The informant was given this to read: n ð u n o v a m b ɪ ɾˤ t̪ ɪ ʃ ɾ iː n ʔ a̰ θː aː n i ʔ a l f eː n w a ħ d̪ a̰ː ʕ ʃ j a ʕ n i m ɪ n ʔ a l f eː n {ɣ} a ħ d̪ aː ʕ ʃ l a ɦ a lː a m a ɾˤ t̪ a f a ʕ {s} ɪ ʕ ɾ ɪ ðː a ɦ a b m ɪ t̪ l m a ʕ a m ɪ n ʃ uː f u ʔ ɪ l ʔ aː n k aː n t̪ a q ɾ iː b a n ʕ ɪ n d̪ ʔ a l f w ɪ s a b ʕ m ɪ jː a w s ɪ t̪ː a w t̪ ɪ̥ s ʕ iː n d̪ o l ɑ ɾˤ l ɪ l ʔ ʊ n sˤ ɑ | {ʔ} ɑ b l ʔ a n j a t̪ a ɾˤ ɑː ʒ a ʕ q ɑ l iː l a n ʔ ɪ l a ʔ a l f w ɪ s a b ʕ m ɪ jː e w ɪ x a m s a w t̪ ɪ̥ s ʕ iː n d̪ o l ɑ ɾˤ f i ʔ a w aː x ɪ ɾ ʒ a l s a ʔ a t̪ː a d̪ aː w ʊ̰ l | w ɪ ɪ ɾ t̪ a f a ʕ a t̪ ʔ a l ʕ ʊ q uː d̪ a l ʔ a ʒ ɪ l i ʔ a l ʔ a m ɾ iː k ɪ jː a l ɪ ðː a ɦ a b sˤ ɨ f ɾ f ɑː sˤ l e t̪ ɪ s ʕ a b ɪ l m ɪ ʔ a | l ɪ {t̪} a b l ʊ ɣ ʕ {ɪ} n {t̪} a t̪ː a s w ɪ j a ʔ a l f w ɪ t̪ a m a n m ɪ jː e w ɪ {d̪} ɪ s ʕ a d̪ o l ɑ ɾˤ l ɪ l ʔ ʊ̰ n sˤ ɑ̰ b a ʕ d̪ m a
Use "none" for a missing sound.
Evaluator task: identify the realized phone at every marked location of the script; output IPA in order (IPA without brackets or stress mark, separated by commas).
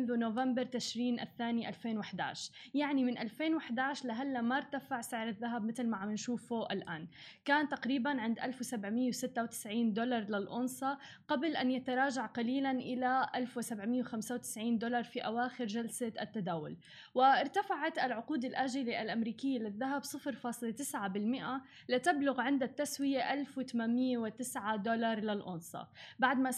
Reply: w, s, q, t̪, ɪ, d̪, t̪